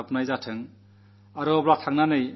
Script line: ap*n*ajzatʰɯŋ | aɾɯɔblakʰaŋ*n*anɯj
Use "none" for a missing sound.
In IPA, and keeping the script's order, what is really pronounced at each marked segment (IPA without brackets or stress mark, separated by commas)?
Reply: n, n